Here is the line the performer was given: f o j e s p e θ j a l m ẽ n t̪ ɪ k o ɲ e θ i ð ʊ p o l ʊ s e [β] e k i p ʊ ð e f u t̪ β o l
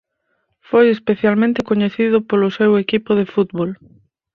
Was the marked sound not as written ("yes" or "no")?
yes